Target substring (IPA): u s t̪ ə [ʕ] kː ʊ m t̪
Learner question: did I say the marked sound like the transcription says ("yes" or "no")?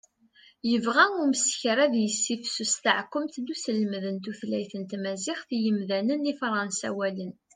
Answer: yes